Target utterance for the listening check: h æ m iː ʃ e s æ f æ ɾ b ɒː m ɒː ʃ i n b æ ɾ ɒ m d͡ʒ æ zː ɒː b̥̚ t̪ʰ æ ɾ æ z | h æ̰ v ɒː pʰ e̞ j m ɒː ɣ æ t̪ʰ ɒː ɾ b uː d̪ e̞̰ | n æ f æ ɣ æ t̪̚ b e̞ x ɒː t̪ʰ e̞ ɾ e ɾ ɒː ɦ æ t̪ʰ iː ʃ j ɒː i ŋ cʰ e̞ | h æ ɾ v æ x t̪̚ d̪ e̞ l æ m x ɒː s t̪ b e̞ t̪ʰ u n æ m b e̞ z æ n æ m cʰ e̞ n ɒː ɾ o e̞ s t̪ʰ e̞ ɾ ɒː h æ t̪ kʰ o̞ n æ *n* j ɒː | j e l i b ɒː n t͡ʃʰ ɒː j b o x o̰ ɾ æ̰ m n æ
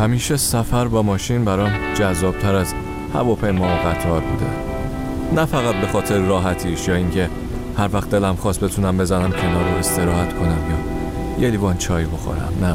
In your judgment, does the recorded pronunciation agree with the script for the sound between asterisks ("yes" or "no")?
no